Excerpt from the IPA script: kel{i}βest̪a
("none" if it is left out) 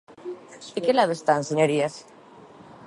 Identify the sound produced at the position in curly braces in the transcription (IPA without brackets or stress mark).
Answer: a